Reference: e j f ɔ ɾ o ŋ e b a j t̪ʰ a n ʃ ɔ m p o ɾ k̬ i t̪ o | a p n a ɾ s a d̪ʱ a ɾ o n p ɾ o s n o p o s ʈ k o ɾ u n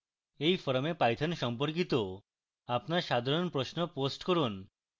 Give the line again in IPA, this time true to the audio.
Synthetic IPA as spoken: e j f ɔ ɾ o m e p a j t̪ʰ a n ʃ ɔ m p o ɾ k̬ i t̪ o | a p n a ɾ ʃ a d̪ʱ a ɾ o n p ɾ o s n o p o s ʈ k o ɾ u n